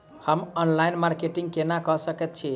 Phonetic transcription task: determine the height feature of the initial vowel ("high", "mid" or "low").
mid